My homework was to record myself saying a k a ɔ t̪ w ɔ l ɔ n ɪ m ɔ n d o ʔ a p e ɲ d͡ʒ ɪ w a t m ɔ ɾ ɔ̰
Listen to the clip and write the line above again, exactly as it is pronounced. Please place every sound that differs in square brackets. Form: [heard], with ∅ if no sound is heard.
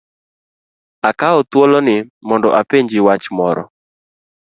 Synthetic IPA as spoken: a k a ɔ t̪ w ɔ l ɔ n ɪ m ɔ n d [ɔ] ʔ a p e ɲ d͡ʒ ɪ w a [t͡ʃ] m ɔ ɾ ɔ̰